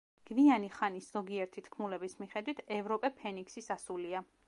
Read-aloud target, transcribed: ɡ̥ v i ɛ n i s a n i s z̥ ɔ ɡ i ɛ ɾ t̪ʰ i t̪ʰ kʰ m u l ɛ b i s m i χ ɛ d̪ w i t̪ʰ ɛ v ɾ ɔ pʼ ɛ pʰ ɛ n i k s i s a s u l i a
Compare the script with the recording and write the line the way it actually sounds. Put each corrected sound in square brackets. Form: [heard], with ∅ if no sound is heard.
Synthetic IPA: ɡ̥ v i [a] n i [χ] a n i s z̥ ɔ ɡ i ɛ ɾ t̪ʰ i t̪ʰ kʰ m u l ɛ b i s m i χ ɛ d̪ w i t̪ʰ ɛ v ɾ ɔ pʼ ɛ pʰ ɛ n i k s i s a s u l i a